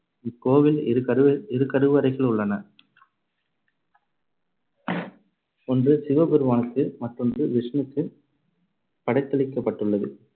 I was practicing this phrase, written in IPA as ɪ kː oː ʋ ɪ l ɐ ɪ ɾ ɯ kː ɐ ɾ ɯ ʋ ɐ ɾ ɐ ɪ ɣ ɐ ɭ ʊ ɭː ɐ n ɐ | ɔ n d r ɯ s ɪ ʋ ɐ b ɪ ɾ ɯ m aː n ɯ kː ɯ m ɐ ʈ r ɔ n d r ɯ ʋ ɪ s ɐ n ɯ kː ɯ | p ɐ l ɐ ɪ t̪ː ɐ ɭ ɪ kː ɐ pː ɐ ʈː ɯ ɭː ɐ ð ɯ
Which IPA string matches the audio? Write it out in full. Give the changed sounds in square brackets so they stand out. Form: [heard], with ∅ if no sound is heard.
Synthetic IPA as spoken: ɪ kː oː ʋ ɪ l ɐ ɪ ɾ ɯ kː ɐ ɾ ɯ ʋ ɐ ɾ ɐ ɪ ɣ ɐ ɭ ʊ ɭː ɐ n ɐ | ɔ n d r ɯ s ɪ ʋ ɐ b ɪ ɾ ɯ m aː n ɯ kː ɯ m ɐ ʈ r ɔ n d r ɯ ʋ ɪ [ʂ] ɐ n ɯ kː ɯ | p ɐ [ɽ] ɐ ɪ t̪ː ɐ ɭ ɪ kː ɐ pː ɐ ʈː ɯ ɭː ɐ ð ɯ

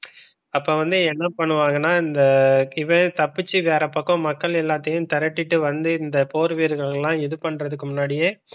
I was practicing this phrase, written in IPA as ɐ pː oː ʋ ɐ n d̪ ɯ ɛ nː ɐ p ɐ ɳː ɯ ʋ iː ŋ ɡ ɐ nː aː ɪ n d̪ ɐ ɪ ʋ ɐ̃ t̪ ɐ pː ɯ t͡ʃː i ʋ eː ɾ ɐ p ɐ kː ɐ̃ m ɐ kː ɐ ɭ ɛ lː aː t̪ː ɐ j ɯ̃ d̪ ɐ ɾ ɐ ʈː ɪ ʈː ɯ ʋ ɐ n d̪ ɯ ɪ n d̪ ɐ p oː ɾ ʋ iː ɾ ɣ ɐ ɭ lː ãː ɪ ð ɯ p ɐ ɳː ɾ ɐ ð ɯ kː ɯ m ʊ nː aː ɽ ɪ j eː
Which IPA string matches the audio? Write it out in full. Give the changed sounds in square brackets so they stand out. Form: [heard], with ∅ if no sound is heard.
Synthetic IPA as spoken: ɐ pː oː ʋ ɐ n d̪ ɯ ɛ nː ɐ p ɐ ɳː ɯ ʋ [aː] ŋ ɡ ɐ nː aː ɪ n d̪ ɐ ɪ ʋ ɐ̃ t̪ ɐ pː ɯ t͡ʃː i ʋ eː ɾ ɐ p ɐ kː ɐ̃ m ɐ kː ɐ ɭ ɛ lː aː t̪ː ɐ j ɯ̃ [t̪] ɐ ɾ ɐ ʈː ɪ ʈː ɯ ʋ ɐ n d̪ ɯ ɪ n d̪ ɐ p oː ɾ ʋ iː ɾ ɣ ɐ ɭ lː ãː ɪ ð ɯ p ɐ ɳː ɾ ɐ ð ɯ kː ɯ m ʊ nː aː ɽ ɪ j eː

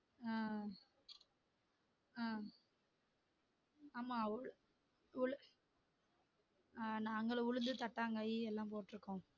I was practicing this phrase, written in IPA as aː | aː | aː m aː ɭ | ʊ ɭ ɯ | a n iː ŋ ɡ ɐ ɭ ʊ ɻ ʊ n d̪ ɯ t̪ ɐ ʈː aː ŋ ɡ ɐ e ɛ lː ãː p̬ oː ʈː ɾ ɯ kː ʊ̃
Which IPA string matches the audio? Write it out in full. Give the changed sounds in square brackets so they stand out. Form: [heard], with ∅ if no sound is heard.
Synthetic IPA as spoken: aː | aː | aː m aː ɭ | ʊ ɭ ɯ | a n [aː] ŋ ɡ ɐ ɭ ʊ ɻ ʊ n d̪ ɯ t̪ ɐ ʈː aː ŋ ɡ ɐ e ɛ lː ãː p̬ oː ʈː ɾ ɯ kː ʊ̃

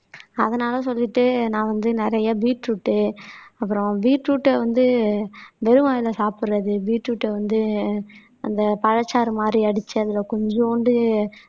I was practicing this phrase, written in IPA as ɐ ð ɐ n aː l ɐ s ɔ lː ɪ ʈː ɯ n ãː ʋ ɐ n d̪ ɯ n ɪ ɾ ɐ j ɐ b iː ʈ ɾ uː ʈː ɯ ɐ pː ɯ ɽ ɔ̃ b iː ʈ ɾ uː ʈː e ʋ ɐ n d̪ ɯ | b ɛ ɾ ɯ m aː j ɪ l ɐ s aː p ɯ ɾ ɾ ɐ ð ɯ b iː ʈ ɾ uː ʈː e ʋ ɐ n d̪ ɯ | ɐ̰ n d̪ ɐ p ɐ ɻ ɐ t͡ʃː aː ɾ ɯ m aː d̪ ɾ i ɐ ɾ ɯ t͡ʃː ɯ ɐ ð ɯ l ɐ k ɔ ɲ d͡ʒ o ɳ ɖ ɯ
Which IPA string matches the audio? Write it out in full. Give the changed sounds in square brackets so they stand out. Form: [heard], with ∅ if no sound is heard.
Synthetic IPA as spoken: ɐ ð ɐ n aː l ɐ s ɔ lː ɪ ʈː ɯ n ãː ʋ ɐ n d̪ ɯ n ɪ ɾ ɐ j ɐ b iː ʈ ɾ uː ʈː ɯ ɐ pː ɯ [ɾ] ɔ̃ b iː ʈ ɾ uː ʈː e ʋ ɐ n d̪ ɯ | b ɛ ɾ ɯ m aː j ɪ l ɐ s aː p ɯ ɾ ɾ ɐ ð ɯ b iː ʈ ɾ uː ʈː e ʋ ɐ n d̪ ɯ | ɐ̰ n d̪ ɐ p ɐ ɻ ɐ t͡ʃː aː ɾ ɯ m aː d̪ ɾ i ɐ [ɽ] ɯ t͡ʃː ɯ ɐ ð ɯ l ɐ k ɔ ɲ d͡ʒ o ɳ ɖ ɯ

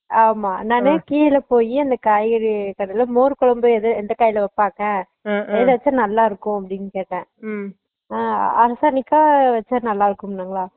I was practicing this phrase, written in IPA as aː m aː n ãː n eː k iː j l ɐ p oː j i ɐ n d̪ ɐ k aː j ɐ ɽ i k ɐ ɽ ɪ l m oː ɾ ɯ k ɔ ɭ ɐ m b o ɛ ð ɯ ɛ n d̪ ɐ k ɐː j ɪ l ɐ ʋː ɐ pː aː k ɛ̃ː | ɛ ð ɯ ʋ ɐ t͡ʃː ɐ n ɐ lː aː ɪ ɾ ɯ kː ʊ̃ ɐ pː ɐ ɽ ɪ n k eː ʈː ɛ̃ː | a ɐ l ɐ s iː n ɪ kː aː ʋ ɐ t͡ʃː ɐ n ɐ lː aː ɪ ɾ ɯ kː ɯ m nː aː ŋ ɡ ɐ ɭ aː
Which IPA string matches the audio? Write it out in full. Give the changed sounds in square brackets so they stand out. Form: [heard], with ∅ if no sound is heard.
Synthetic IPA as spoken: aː m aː n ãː n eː k iː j l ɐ p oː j i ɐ n d̪ ɐ k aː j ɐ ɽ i k ɐ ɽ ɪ l m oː ɾ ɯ k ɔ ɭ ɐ m b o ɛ ð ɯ ɛ n d̪ ɐ k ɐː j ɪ l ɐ [ʋ] ɐ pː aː k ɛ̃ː | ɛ ð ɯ ʋ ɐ t͡ʃː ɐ n ɐ lː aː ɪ ɾ ɯ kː ʊ̃ ɐ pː ɐ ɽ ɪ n k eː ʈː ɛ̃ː | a ɐ [ɾ] ɐ s [aː] n ɪ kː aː ʋ ɐ t͡ʃː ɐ n ɐ lː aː ɪ ɾ ɯ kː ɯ m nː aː ŋ ɡ ɐ ɭ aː

